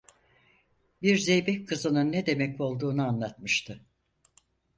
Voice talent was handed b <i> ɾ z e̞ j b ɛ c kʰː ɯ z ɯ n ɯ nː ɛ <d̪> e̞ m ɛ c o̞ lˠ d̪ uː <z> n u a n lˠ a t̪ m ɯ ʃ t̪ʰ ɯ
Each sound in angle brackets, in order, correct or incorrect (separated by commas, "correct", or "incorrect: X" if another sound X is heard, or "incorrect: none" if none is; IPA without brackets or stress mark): correct, correct, incorrect: none